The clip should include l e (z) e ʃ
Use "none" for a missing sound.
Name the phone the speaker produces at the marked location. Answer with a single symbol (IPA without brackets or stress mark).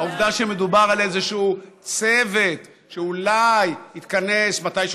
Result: z